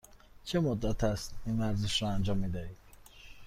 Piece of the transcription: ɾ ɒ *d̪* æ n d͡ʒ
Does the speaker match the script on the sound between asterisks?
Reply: no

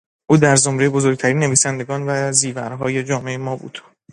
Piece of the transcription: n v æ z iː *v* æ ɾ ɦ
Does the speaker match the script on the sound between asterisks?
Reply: yes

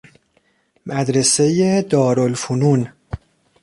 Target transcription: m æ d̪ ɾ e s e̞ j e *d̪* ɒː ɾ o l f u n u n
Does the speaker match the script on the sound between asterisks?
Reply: yes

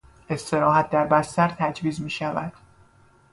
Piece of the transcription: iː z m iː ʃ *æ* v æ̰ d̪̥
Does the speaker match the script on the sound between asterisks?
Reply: yes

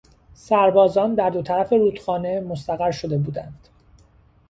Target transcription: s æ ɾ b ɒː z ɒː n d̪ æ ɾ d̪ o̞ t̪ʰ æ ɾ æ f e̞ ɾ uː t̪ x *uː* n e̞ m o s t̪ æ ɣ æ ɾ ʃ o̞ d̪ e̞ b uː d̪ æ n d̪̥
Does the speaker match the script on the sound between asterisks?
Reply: no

